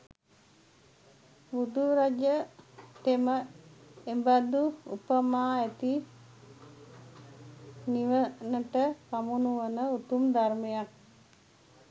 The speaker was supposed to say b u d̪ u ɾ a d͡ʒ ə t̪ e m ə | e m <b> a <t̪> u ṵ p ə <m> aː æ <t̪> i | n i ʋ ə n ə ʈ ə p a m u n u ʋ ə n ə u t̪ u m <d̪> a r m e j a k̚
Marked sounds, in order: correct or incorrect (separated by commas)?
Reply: correct, incorrect, correct, correct, correct